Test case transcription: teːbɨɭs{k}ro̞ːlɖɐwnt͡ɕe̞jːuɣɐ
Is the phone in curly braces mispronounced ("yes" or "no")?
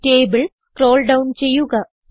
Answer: no